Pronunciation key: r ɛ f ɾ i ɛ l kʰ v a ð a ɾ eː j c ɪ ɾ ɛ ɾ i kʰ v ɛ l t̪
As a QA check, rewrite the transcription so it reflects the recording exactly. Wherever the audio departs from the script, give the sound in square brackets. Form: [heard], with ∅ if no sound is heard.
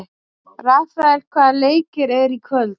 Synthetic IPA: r [a] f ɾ [a] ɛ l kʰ v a ð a [l] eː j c ɪ ɾ ɛ ɾ i kʰ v [œ] l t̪